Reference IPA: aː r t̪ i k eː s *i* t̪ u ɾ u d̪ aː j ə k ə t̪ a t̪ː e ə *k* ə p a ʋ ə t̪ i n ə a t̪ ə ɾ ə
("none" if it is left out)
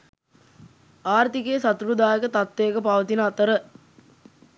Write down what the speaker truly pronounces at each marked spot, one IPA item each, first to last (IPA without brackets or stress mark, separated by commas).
a, k